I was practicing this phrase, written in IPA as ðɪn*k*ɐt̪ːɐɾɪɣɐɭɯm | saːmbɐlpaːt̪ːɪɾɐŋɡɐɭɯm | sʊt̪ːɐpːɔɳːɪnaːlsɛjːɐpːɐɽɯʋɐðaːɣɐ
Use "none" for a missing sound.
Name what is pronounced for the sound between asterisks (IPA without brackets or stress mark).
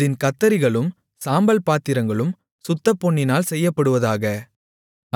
k